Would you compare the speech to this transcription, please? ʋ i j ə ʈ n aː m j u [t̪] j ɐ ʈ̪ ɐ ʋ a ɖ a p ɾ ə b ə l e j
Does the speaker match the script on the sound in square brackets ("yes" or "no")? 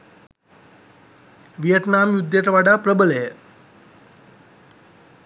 no